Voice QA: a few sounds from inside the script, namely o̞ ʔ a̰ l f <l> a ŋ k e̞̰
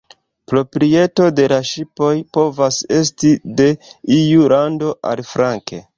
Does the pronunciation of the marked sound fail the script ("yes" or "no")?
yes